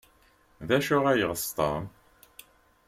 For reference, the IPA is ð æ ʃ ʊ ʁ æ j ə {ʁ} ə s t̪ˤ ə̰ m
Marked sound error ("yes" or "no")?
no